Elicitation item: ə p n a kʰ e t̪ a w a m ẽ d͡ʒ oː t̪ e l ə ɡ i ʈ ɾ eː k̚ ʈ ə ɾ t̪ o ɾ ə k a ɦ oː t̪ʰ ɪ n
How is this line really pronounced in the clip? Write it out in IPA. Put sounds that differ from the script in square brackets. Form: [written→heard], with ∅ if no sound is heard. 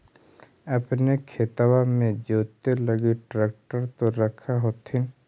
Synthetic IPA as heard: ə p n [a→e] kʰ e t̪ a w a m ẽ d͡ʒ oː t̪ e l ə ɡ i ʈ ɾ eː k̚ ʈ ə ɾ t̪ o ɾ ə [k→kʰ] a ɦ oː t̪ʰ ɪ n